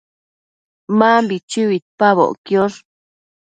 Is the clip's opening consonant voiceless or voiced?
voiced